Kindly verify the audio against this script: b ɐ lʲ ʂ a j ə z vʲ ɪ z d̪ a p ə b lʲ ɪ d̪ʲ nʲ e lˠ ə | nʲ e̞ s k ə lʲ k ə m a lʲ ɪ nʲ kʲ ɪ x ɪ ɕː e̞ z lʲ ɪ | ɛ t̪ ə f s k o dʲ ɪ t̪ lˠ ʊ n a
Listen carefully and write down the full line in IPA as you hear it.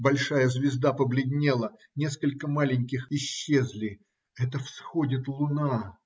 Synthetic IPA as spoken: b ɐ lʲ ʂ a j ə z vʲ ɪ z d̪ a p ə b lʲ ɪ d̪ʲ nʲ e lˠ ə | nʲ e̞ s k ə lʲ k ə m a lʲ ɪ nʲ kʲ ɪ x ɪ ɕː e̞ z lʲ ɪ | ɛ t̪ ə f s x o dʲ ɪ t̪ lˠ ʊ n a